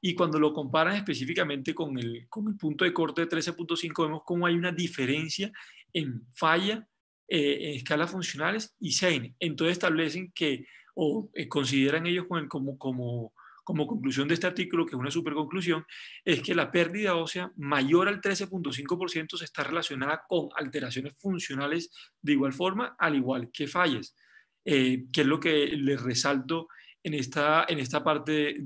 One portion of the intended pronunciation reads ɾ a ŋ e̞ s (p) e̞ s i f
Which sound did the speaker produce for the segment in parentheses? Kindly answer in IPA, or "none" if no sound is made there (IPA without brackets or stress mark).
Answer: p